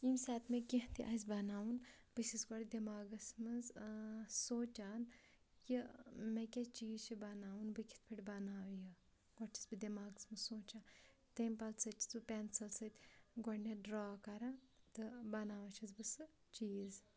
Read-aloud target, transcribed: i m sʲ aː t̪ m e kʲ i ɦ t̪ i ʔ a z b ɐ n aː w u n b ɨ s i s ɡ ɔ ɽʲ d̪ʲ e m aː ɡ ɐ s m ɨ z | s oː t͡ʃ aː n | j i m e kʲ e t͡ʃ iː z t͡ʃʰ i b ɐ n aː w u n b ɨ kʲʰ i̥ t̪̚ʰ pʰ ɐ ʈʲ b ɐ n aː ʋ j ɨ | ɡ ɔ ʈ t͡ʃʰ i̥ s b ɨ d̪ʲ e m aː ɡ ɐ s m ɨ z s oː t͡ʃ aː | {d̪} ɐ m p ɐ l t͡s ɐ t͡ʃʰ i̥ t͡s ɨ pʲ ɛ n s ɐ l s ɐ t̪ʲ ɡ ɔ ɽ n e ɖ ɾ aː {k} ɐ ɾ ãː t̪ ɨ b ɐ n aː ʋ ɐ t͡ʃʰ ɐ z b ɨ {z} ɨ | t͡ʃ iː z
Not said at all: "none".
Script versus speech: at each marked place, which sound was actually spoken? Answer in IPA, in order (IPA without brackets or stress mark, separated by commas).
t̪, k, s